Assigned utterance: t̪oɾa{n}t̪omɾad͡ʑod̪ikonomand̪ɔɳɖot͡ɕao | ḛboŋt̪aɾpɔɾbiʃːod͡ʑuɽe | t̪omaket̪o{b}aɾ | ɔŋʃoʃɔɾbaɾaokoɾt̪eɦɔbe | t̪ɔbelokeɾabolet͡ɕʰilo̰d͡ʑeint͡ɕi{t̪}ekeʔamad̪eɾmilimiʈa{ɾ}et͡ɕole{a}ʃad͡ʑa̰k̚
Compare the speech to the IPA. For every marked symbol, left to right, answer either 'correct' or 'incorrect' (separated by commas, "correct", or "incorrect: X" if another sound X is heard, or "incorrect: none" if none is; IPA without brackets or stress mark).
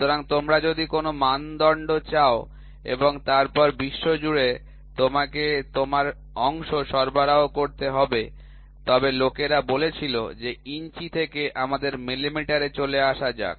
incorrect: ŋ, incorrect: m, incorrect: t̪ʰ, correct, correct